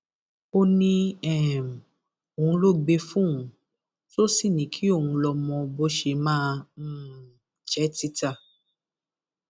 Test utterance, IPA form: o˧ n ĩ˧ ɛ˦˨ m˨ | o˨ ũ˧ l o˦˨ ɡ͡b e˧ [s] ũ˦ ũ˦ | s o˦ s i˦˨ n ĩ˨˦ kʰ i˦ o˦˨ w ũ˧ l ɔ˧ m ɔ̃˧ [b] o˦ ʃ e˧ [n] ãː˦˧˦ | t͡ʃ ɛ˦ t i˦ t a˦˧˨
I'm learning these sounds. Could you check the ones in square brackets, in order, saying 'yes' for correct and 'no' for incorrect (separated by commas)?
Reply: no, yes, no